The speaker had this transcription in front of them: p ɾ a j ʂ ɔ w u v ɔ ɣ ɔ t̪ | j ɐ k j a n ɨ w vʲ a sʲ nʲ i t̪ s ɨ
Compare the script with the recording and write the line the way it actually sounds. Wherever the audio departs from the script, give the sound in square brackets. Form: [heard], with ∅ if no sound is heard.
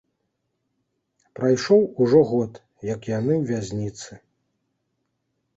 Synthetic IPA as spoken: p ɾ a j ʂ ɔ w u [ʐ] ɔ ɣ ɔ t̪ | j ɐ k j a n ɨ w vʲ a [zʲ] nʲ i t̪ s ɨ